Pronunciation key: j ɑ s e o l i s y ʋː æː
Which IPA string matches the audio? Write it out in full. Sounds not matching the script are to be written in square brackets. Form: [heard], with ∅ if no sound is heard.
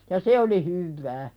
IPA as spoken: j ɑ s e o l i [h] y ʋː æː

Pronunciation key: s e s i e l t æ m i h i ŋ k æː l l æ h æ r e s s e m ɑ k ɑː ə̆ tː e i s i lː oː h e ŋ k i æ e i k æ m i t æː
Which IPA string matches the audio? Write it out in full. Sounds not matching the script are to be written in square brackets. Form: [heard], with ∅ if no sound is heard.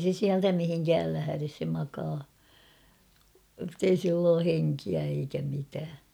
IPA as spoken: s e s i [æ] l t æ m i h i ŋ k æː l l æ h æ r e s s e m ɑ k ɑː ə̆ tː e i s i lː oː h e ŋ k i æ e i k æ m i t æː

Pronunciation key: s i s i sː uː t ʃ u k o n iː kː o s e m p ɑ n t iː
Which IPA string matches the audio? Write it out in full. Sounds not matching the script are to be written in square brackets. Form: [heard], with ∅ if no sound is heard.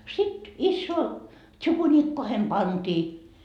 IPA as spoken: s i [t] i sː [oː] t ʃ u k [u] n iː kː o [h] e m p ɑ n t iː

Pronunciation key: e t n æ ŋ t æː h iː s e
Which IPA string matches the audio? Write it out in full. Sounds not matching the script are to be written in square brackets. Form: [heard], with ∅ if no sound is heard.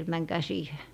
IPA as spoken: e t [m] æ ŋ [k] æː [s] iː [h] e

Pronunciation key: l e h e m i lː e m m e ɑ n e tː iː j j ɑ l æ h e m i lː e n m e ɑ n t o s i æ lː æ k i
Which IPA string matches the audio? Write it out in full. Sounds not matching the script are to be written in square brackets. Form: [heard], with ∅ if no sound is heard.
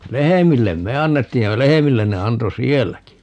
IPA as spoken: l e h e m i lː e m m e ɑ [nː] e tː iː j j ɑ l [e] h e m i lː e n [n] e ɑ n t o s i [e] lː æ k i

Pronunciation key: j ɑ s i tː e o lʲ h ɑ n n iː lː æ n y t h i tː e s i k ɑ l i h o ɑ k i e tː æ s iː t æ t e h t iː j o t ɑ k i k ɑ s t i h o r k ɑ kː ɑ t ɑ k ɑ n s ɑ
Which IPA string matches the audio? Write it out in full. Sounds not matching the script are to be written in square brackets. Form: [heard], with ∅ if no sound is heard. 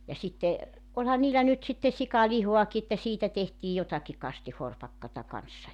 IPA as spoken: j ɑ s i tː e o lʲ h ɑ n n iː lː æ n y t [s] i tː e s i k ɑ l i h o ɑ k i e tː æ s iː t æ t e h t iː j o t ɑ k i k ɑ s t i h o r [p] ɑ kː ɑ t ɑ k ɑ n [sː] ɑ

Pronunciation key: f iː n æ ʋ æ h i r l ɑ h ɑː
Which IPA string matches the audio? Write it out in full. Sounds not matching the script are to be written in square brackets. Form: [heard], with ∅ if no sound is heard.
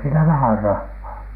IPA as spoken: [s] iː n æ ʋ æ h [æ] r [r] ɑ [hː] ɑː

